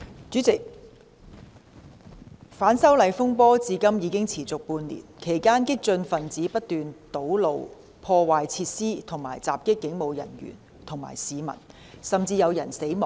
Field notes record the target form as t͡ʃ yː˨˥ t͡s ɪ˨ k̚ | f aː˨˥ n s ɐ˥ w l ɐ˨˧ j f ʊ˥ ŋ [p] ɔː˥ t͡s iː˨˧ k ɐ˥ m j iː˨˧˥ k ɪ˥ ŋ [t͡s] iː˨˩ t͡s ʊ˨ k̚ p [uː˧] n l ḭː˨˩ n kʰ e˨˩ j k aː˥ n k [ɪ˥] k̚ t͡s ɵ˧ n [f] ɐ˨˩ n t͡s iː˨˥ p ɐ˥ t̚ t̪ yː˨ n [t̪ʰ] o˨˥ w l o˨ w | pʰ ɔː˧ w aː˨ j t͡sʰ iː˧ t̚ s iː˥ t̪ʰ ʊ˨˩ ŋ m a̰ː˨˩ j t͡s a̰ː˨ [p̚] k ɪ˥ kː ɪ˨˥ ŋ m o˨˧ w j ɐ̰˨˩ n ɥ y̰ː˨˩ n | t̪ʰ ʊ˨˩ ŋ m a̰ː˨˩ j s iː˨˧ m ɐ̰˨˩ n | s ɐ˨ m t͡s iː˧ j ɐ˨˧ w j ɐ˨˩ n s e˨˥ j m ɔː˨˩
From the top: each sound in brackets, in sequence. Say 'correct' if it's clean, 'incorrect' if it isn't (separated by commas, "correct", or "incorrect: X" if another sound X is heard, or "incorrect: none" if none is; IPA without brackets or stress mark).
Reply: correct, incorrect: t͡sʰ, correct, correct, correct, incorrect: t̪, correct